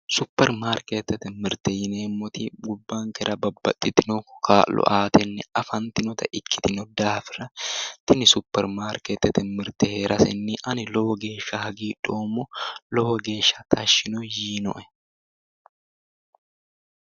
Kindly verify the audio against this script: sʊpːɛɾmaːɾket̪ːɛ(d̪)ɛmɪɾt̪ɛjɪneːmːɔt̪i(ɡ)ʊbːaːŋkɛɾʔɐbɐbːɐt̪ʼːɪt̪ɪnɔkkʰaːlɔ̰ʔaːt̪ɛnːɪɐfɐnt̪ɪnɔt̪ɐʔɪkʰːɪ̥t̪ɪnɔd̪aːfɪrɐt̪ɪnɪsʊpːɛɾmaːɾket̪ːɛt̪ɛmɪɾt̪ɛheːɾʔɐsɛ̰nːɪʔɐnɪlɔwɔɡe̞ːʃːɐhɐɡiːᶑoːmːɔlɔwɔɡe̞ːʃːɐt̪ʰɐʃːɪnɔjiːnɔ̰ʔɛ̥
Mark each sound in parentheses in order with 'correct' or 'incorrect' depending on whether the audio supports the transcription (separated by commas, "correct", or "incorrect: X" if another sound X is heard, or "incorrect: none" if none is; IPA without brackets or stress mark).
incorrect: t̪, correct